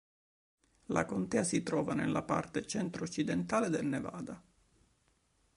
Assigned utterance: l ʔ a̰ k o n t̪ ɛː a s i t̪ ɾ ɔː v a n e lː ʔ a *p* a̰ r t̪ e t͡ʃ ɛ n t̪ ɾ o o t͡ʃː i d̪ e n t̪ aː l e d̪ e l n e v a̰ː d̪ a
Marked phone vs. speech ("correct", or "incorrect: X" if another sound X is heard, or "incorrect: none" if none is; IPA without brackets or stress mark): correct